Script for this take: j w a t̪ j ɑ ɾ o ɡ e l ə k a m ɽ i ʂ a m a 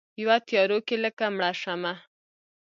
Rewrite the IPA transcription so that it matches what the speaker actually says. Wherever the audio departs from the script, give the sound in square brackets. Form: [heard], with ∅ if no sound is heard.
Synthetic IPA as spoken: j w a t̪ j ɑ ɾ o [k] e l ə k a m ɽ [a] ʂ a m a